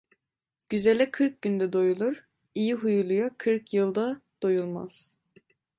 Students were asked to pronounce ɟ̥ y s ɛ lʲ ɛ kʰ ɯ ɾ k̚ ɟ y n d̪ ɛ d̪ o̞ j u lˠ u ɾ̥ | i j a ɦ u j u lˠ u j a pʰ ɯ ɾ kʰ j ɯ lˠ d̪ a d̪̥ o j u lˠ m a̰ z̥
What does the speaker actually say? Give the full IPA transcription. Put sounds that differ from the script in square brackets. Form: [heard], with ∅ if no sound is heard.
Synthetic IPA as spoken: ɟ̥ y [z] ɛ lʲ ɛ kʰ ɯ ɾ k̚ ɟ y n d̪ ɛ d̪ o̞ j u lˠ u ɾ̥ | i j [i] ɦ u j u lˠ u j a [kʰ] ɯ ɾ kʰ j ɯ lˠ d̪ a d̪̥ o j u lˠ m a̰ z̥